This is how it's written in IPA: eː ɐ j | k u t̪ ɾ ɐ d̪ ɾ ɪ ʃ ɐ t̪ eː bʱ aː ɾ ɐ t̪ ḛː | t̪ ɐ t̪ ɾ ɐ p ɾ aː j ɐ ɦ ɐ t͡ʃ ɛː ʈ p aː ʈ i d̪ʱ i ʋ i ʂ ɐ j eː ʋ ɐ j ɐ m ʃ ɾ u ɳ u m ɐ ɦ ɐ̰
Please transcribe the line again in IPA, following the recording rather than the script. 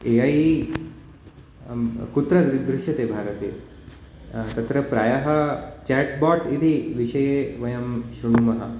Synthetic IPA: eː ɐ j | k u t̪ ɾ ɐ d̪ ɾ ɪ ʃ ɐ t̪ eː bʱ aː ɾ ɐ t̪ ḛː | t̪ ɐ t̪ ɾ ɐ p ɾ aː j ɐ ɦ ɐ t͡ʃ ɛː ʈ b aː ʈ i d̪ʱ i ʋ i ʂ ɐ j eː ʋ ɐ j ɐ m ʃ ɾ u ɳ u m ɐ ɦ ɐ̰